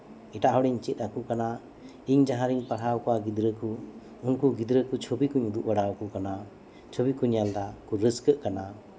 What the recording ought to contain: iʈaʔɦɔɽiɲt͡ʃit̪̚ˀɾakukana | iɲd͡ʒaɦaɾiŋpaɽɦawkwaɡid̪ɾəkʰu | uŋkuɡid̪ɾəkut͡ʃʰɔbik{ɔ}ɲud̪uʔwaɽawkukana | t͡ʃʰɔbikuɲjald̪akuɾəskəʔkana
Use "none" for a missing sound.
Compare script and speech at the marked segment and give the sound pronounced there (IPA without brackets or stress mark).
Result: u